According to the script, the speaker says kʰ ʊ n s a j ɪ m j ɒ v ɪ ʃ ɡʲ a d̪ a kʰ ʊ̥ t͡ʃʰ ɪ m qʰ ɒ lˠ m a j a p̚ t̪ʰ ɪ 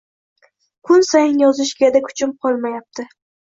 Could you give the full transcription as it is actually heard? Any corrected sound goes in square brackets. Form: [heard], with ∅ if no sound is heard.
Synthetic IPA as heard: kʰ ʊ n s a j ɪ [n] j ɒ [z] ɪ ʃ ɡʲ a d̪ a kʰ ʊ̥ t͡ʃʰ ɪ m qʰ ɒ lˠ m a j a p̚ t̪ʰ ɪ

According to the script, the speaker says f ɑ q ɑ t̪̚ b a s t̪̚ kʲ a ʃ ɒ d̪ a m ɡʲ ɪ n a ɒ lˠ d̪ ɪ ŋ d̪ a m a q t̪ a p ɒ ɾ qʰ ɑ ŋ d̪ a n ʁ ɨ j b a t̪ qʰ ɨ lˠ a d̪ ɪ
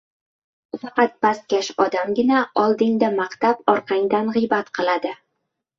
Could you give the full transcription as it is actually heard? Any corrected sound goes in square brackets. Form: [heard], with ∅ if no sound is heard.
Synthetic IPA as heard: f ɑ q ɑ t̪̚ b a s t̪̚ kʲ a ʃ ɒ d̪ a m ɡʲ ɪ n a ɒ lˠ d̪ ɪ ŋ d̪ a m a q t̪ a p ɒ ɾ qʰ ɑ ŋ d̪ a n ʁ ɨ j b a t̪ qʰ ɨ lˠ a d̪ ɪ

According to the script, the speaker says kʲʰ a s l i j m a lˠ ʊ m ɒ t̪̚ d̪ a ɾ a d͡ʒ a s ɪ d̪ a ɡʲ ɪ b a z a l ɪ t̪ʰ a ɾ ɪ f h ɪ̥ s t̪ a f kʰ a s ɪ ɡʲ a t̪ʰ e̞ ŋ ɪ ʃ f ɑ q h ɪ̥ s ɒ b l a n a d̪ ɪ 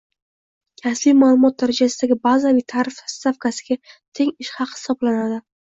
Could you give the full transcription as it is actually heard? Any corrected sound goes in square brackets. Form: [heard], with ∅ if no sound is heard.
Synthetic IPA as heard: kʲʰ a s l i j m a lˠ ʊ m ɒ t̪̚ d̪ a ɾ a d͡ʒ a s ɪ d̪ a ɡʲ ɪ b a z a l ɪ t̪ʰ a ɾ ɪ f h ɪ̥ s t̪ a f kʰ a s ɪ ɡʲ a t̪ʰ e̞ ŋ ɪ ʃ [h] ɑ q h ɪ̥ s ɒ b l a n a d̪ ɪ

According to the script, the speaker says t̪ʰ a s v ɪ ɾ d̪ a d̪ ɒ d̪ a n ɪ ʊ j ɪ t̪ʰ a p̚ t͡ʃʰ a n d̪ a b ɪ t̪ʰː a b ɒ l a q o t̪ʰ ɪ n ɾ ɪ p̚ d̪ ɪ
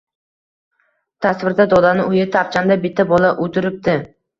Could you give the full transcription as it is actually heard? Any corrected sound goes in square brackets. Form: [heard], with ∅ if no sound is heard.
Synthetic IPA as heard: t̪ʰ a s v ɪ ɾ d̪ a d̪ ɒ d̪ a n ɪ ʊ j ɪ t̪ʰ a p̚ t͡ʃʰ a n d̪ a b ɪ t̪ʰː a b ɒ l a [ʔ] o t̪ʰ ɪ [∅] ɾ ɪ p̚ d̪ ɪ

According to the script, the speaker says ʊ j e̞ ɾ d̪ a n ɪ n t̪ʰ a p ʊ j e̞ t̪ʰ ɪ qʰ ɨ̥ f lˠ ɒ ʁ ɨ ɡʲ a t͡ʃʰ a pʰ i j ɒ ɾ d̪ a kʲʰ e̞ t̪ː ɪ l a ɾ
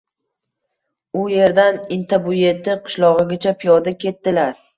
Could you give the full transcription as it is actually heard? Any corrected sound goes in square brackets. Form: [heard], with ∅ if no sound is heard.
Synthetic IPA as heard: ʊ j e̞ ɾ d̪ a n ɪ n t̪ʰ a [b] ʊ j e̞ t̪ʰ ɪ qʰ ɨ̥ [ʃ] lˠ ɒ ʁ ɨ ɡʲ a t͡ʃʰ a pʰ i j ɒ ɾ d̪ a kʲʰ e̞ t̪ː ɪ l a ɾ

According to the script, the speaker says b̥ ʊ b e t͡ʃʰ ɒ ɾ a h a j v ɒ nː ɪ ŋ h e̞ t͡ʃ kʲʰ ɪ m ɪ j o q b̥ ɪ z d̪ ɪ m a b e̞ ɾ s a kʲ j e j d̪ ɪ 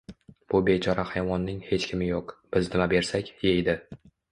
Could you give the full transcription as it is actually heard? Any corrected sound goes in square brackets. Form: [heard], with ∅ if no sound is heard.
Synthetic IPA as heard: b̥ ʊ b e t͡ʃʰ ɒ ɾ a h a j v ɒ nː ɪ ŋ h e̞ t͡ʃ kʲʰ ɪ m ɪ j o q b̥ ɪ z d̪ ɪ m a b e̞ ɾ s a kʲ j e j d̪ ɪ

